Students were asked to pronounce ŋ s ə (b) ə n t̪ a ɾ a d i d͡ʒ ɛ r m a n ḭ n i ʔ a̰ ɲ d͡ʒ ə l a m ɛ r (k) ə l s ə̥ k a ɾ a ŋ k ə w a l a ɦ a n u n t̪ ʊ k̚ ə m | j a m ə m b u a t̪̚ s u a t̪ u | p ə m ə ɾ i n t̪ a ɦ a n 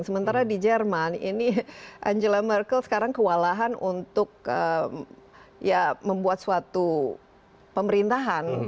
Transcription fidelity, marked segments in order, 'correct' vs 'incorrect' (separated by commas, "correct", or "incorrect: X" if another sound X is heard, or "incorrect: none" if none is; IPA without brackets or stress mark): incorrect: m, correct